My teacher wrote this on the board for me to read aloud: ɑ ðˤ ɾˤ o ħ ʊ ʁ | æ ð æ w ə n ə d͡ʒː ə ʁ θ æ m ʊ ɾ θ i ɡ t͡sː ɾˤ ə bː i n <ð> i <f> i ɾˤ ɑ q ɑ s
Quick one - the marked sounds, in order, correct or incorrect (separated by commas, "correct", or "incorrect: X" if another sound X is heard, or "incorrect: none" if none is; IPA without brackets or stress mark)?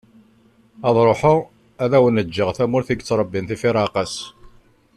incorrect: θ, correct